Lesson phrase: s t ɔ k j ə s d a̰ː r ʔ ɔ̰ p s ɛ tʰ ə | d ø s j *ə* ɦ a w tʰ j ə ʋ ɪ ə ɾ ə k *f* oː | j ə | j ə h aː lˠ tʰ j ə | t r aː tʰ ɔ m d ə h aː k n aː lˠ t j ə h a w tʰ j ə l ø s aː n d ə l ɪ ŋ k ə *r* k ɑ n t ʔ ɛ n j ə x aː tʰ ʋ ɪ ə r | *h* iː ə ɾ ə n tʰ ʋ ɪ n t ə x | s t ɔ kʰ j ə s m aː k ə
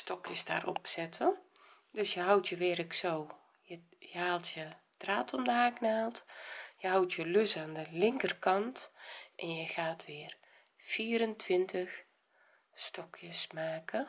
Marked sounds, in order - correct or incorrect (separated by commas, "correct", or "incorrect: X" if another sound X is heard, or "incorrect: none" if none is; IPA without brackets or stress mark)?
correct, incorrect: s, correct, incorrect: f